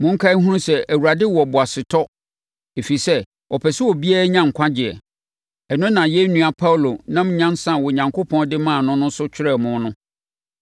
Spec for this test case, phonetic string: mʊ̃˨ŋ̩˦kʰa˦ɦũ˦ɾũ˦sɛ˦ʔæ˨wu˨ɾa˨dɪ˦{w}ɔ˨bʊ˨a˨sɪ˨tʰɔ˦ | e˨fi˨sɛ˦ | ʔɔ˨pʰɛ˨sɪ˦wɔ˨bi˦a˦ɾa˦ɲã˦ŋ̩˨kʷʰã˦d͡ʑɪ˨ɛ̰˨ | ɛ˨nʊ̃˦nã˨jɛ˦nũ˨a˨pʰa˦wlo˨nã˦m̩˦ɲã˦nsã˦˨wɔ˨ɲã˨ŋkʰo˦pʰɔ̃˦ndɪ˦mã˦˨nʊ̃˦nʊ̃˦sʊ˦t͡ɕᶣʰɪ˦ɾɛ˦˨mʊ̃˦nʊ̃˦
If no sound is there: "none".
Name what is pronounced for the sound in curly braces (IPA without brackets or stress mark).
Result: w